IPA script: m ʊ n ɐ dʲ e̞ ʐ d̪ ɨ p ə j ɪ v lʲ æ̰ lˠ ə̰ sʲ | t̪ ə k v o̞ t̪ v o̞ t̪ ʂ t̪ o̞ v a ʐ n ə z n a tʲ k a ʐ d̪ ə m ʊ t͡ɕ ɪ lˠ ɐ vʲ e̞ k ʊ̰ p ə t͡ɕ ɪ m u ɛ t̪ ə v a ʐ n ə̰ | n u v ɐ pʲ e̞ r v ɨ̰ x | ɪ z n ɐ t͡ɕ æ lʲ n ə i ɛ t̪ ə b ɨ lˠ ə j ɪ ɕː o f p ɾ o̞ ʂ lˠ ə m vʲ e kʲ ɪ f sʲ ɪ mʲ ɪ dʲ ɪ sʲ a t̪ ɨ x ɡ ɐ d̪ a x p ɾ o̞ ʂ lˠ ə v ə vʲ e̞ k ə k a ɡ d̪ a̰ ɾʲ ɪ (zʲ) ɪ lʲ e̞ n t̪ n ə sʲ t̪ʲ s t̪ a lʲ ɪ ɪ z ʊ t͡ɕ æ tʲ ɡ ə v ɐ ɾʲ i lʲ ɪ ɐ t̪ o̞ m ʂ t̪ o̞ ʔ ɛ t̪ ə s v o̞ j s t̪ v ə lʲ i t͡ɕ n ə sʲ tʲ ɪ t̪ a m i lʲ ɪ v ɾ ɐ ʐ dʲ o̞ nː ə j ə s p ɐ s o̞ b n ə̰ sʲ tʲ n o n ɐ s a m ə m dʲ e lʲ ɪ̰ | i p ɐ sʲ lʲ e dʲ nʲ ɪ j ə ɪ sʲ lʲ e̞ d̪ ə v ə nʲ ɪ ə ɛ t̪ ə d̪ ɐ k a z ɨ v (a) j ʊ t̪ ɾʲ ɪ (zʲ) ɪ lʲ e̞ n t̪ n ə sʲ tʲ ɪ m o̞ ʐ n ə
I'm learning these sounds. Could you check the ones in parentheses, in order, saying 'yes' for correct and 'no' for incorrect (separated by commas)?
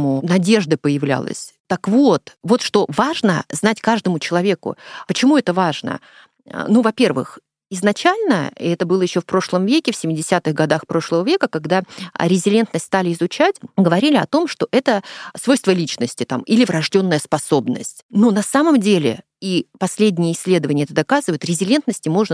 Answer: yes, no, yes